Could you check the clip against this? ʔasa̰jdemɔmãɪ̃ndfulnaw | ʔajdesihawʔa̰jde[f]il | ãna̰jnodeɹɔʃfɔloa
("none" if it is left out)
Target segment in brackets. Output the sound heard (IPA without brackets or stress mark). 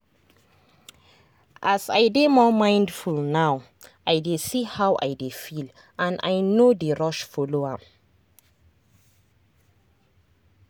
f